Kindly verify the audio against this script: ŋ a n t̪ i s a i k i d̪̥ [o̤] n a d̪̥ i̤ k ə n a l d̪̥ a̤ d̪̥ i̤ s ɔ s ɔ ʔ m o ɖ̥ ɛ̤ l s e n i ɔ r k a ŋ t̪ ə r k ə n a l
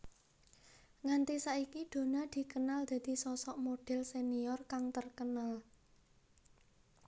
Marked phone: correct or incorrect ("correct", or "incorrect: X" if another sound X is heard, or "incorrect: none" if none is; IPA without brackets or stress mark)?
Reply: correct